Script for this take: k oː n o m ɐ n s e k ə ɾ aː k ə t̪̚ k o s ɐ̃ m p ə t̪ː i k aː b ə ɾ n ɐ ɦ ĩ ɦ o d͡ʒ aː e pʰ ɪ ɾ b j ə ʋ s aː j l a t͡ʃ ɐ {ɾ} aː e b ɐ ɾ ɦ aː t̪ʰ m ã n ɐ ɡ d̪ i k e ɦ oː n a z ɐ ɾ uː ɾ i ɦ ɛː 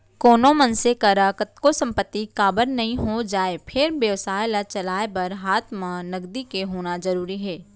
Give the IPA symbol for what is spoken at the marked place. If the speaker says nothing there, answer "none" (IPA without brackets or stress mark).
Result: l